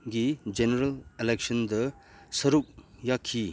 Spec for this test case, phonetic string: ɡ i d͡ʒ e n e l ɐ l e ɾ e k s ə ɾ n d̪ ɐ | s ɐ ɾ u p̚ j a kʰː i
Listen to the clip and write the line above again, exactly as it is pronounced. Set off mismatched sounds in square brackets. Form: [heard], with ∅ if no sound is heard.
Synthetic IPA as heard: ɡ i d͡ʒ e n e [ɾ] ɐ l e [l] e k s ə [∅] n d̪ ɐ | s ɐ ɾ u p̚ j a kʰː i